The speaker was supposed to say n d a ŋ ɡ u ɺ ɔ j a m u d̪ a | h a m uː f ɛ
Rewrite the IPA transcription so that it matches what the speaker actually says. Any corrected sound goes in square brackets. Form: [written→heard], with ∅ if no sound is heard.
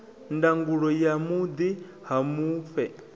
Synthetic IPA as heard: n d a ŋ ɡ u ɺ ɔ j a m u d̪ [a→i] | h a m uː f ɛ